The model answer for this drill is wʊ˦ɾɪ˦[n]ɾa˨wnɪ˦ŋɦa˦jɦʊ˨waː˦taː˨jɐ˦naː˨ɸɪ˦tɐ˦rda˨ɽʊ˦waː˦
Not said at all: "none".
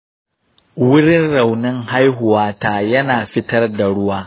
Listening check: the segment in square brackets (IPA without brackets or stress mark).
n